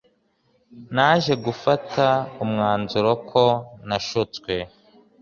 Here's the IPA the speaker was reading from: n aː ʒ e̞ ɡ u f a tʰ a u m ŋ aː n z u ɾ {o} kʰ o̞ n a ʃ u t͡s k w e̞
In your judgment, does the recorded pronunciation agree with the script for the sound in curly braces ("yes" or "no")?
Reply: yes